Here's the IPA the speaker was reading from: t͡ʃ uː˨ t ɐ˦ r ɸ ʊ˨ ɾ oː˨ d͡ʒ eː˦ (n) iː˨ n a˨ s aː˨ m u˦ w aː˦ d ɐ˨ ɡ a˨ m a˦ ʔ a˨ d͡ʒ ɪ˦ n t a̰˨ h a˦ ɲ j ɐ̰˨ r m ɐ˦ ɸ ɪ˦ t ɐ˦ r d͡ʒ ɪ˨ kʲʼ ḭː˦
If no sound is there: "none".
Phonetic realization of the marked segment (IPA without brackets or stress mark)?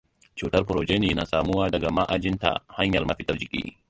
n